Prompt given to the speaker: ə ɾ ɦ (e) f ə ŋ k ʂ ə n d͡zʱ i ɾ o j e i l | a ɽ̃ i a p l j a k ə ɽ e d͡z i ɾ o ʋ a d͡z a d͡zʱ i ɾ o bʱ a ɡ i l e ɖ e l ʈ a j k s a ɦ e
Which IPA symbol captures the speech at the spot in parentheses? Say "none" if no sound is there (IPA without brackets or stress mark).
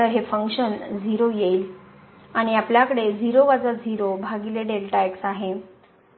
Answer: e